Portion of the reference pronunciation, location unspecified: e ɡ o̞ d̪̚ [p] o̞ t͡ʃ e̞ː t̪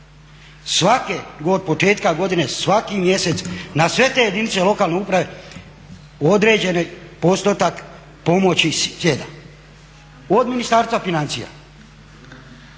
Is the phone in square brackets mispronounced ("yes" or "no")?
no